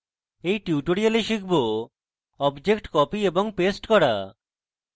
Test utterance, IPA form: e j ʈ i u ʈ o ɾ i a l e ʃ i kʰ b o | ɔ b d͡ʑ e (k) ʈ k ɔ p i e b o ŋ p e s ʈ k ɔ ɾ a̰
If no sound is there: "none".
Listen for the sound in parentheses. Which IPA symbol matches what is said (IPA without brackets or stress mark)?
k